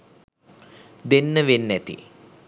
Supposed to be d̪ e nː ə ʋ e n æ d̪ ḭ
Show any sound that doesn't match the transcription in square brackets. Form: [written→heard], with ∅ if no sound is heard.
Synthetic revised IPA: d̪ e nː ə ʋ e [n→nː] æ [d̪→t̪] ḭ